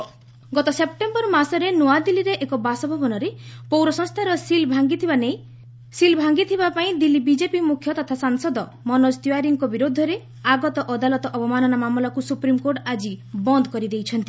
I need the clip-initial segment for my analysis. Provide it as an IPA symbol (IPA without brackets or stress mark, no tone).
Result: ɡ